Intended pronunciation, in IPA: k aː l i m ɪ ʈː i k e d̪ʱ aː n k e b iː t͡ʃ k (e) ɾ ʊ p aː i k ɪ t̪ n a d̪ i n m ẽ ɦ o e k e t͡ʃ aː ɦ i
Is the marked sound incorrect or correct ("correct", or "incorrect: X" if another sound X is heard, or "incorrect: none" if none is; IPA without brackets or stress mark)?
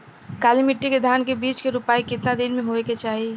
correct